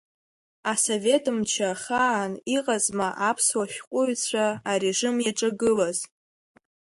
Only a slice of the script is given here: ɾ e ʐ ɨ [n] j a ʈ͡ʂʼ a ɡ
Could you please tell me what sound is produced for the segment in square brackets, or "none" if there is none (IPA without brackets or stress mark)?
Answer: m